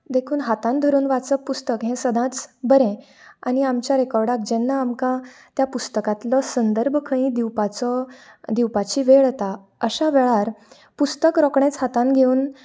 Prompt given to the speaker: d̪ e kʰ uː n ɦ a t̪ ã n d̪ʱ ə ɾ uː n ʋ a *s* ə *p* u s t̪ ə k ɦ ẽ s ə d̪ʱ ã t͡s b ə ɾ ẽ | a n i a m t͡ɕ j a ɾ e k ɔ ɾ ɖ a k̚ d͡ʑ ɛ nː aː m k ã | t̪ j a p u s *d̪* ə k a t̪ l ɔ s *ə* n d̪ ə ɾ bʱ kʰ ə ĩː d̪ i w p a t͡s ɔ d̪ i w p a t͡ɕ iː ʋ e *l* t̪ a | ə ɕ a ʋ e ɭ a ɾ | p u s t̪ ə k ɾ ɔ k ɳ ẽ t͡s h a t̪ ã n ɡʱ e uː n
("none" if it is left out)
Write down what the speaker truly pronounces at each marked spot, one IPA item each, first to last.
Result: t͡s, p, t̪, ə, ɭ

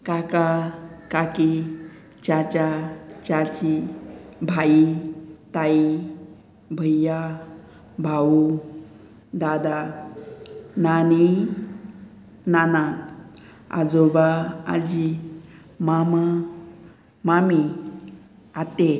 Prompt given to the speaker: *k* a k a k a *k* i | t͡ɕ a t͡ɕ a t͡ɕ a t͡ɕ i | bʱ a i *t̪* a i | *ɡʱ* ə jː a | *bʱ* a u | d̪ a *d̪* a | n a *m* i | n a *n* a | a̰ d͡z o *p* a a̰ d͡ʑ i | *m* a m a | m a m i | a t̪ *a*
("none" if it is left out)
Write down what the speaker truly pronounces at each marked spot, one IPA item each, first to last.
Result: k, k, t̪, bʱ, bʱ, d̪, n, n, b, m, e

